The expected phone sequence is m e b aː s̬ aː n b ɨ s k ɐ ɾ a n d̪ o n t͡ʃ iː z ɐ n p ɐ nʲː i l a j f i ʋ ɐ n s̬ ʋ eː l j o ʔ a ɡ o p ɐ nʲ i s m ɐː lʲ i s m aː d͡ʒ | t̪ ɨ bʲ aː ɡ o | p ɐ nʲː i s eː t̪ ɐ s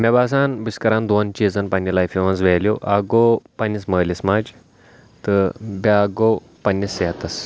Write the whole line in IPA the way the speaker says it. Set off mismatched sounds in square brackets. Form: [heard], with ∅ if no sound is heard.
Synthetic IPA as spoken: m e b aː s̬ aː n b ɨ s k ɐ ɾ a n d̪ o n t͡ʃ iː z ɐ n p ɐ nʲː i l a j f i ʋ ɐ n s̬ ʋ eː l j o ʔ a ɡ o p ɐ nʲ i s m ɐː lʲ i s m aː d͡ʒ | t̪ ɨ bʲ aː ɡ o | p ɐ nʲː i s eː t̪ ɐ s